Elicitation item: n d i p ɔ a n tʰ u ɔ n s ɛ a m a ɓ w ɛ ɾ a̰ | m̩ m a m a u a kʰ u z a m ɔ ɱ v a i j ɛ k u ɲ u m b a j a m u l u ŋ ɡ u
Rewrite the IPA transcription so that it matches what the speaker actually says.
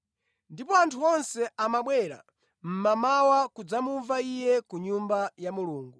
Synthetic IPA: n d i p ɔ a n tʰ u ɔ n s ɛ a m a ɓ w ɛ ɾ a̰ | m̩ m a m a w a k u d͡z a m u ɱ v a i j ɛ k u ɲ u m b a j a m u l uː ŋ ɡ u